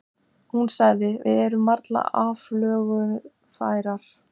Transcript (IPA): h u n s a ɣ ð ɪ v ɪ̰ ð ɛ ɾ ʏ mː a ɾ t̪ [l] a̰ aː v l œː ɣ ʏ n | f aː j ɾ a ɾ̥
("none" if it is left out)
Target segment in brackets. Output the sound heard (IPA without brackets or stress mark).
l